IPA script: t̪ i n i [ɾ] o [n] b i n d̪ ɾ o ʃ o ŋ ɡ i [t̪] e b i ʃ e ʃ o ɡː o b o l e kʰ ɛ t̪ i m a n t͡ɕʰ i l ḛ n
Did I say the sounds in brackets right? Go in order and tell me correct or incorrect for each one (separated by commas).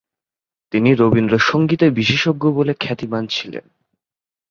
correct, incorrect, correct